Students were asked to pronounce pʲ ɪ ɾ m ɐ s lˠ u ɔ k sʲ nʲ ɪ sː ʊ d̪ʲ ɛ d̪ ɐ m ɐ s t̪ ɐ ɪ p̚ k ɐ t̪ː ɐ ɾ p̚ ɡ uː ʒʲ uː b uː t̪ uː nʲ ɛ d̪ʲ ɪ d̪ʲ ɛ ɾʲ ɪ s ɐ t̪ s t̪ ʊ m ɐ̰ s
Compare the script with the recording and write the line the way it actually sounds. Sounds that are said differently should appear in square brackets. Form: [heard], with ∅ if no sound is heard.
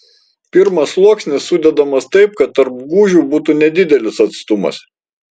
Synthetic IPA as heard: pʲ ɪ ɾ m ɐ s lˠ u ɔ k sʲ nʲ ɪ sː ʊ d̪ʲ ɛ d̪ ɐ m ɐ s t̪ ɐ ɪ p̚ k ɐ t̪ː ɐ ɾ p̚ ɡ uː ʒʲ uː b uː t̪ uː nʲ ɛ d̪ʲ ɪ d̪ʲ ɛ [lʲ] ɪ s ɐ t̪ s t̪ ʊ m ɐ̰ s